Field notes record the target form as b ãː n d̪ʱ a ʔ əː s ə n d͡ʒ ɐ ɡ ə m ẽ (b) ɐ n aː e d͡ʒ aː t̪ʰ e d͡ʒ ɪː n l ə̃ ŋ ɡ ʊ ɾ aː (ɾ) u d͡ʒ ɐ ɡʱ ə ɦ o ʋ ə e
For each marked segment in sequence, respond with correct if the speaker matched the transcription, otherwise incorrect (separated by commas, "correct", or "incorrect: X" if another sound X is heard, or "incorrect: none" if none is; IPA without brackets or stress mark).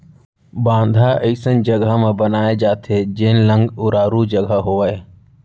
correct, correct